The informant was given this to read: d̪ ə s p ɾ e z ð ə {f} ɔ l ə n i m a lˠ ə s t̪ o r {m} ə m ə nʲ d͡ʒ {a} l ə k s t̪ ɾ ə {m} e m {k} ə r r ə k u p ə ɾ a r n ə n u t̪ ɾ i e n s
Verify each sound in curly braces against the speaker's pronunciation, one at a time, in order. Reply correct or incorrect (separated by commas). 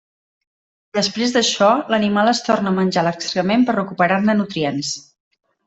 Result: incorrect, incorrect, correct, correct, incorrect